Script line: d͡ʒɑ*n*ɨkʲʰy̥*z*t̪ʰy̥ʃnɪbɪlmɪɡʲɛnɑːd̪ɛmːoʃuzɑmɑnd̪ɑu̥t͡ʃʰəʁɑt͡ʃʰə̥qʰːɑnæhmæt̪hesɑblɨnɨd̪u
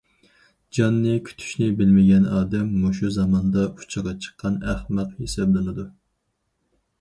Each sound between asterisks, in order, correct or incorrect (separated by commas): incorrect, incorrect